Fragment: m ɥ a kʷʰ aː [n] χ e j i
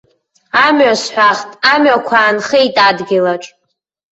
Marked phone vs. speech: correct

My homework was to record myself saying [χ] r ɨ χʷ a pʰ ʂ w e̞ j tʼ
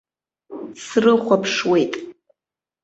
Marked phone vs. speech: incorrect: s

